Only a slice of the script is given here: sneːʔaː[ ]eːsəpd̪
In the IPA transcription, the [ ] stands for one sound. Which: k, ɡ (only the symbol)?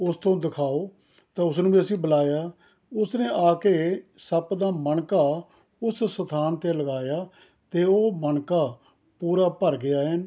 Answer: k